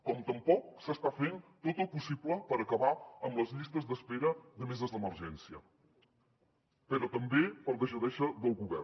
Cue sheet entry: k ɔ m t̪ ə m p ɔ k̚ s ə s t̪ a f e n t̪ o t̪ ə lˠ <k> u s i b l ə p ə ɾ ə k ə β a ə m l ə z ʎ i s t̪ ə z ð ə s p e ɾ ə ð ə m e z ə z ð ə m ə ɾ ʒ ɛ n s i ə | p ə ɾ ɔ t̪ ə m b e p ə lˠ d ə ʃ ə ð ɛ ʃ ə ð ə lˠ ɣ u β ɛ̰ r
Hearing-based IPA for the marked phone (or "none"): p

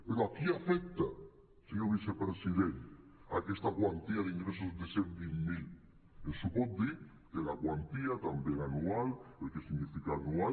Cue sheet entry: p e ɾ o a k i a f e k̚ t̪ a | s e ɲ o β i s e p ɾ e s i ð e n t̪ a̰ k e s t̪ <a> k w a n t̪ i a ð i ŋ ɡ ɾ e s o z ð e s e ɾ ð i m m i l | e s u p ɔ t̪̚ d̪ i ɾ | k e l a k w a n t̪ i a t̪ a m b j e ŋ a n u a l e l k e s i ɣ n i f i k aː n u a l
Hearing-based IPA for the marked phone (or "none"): a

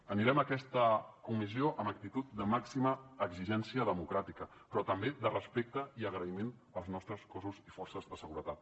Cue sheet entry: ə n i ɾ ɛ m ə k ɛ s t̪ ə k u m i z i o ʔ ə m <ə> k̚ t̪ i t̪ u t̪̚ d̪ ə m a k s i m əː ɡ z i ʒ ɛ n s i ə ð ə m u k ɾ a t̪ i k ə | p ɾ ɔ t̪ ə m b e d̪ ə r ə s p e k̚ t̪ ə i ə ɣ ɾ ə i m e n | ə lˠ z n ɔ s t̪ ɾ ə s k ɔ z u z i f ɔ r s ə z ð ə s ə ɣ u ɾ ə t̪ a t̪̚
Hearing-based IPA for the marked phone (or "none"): ə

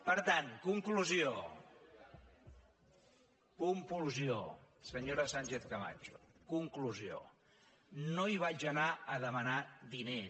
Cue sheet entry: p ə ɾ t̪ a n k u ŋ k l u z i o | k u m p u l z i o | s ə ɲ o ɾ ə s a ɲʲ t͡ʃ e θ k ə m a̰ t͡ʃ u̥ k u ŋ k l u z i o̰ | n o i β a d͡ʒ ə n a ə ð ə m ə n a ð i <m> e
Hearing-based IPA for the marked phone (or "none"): n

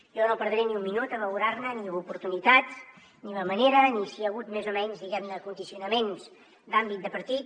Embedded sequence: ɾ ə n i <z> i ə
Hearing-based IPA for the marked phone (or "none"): s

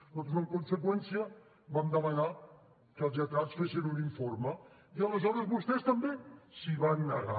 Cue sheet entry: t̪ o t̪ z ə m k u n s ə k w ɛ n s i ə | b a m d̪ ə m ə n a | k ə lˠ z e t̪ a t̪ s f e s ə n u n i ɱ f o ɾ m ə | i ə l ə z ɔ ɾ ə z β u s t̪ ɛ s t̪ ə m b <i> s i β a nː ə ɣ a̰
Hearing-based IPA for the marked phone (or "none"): e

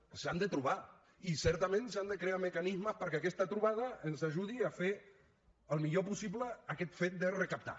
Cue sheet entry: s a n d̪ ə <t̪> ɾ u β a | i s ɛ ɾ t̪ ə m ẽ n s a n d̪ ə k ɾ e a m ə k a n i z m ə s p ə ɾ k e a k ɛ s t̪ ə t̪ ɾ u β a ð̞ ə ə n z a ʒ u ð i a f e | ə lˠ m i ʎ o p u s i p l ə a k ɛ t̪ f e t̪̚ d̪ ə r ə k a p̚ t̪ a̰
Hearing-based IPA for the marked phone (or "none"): t̪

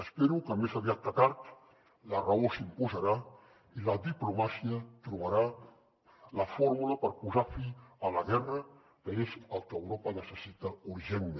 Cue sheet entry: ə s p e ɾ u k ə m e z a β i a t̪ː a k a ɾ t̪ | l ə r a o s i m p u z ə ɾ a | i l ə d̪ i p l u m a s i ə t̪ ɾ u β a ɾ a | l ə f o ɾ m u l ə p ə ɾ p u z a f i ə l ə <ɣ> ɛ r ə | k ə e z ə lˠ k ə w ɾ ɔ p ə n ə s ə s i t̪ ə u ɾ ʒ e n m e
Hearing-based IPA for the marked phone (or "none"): ɣ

